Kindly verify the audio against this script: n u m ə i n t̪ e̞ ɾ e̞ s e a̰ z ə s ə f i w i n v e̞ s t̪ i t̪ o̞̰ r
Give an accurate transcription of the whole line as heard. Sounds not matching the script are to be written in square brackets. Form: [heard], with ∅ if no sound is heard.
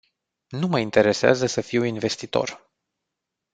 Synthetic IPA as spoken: n u m ə i n t̪ e̞ ɾ e̞ s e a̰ z ə s ə f i w i n v e̞ s t̪ i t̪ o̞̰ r